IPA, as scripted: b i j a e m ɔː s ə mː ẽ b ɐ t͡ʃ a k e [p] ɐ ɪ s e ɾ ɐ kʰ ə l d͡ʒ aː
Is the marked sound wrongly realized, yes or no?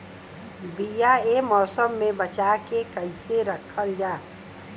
yes